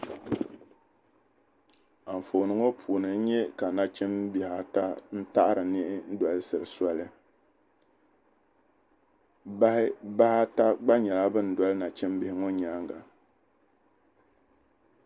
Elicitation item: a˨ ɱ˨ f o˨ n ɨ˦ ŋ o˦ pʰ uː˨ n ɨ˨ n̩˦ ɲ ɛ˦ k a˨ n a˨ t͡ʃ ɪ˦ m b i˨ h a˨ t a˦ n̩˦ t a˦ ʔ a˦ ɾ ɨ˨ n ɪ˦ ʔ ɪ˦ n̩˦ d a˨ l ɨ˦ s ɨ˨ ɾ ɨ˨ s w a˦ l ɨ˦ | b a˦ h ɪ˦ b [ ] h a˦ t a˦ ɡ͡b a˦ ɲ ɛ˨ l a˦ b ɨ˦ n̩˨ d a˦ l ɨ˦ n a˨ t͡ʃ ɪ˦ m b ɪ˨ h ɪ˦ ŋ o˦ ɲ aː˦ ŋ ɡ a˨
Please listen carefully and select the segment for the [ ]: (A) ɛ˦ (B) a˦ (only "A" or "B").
B